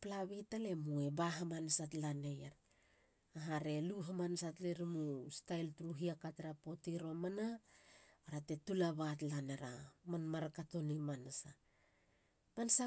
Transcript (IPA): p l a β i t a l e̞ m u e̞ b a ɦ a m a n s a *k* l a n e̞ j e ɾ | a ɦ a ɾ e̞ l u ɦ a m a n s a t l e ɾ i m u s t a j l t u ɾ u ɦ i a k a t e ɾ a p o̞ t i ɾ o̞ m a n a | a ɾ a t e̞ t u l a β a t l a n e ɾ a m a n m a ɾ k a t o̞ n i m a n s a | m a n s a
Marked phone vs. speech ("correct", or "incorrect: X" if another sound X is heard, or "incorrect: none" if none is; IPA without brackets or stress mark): incorrect: t